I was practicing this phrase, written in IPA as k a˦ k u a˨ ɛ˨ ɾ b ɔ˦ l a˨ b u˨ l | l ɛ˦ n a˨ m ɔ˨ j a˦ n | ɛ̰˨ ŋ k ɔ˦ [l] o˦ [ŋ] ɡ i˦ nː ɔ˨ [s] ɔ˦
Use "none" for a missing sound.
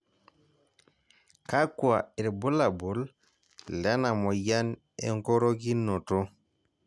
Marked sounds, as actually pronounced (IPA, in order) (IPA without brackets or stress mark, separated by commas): ɾ, none, t